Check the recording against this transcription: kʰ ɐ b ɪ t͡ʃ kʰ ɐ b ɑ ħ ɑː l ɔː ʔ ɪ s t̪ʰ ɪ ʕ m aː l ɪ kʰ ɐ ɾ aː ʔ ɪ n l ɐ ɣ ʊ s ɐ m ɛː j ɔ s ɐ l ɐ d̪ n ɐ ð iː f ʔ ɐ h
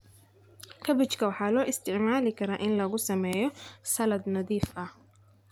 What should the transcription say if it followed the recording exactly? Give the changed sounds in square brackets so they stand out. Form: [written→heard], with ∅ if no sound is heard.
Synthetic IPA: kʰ ɐ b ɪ t͡ʃ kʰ ɐ [b→w] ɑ ħ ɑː l ɔː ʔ ɪ s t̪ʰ ɪ ʕ m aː l ɪ kʰ ɐ ɾ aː ʔ ɪ n l ɐ ɣ ʊ s ɐ m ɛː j ɔ s ɐ l ɐ d̪ n ɐ ð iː f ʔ ɐ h